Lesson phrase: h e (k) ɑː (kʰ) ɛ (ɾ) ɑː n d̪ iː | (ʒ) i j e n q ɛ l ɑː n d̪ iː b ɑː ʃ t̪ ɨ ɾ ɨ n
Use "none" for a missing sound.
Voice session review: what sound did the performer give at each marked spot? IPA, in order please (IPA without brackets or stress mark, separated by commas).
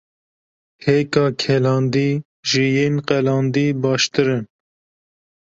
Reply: k, kʰ, l, ʒ